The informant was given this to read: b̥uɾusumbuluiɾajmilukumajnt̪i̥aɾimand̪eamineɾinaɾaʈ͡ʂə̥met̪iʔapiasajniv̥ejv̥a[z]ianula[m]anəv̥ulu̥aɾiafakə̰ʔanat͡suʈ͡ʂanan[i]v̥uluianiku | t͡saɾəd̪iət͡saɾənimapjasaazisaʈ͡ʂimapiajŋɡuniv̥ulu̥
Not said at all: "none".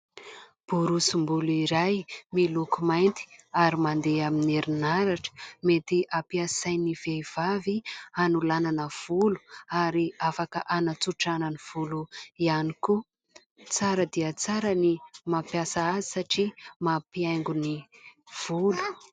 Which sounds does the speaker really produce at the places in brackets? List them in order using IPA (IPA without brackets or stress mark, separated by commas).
v, n, i